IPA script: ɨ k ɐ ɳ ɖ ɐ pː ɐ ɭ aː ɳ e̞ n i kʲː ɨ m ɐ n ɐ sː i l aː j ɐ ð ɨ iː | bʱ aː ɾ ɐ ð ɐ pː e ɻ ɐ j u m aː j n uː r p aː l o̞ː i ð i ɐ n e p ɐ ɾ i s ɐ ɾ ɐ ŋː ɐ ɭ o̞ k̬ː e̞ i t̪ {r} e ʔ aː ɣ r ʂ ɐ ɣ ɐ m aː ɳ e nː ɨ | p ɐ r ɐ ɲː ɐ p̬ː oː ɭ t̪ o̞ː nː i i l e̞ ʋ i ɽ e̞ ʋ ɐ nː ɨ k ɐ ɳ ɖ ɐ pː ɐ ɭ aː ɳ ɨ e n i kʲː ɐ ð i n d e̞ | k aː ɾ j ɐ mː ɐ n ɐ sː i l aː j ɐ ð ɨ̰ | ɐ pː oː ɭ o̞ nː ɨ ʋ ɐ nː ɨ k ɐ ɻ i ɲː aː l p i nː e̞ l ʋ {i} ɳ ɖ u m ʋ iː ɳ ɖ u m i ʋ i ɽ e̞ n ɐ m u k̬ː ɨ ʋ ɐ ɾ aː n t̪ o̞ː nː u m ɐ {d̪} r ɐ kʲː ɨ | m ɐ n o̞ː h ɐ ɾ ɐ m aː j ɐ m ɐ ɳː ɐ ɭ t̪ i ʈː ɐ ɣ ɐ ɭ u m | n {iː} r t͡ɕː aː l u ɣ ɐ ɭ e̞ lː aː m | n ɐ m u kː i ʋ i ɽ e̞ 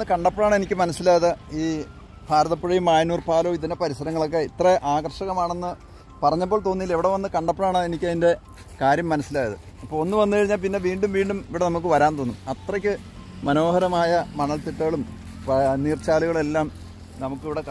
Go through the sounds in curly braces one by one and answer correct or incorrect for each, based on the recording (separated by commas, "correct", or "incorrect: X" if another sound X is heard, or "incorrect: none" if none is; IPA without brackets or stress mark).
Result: correct, incorrect: iː, incorrect: t̪, correct